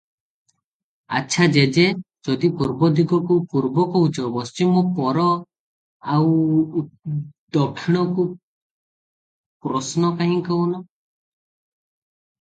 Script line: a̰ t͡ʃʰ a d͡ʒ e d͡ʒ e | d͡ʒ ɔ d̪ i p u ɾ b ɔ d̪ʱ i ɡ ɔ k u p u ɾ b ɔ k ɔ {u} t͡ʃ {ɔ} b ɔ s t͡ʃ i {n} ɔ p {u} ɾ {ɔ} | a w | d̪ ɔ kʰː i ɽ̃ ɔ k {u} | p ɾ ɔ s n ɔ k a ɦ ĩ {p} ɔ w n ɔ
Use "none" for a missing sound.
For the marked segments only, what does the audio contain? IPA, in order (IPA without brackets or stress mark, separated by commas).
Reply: u, ɔ, m, ɔ, ɔ, u, k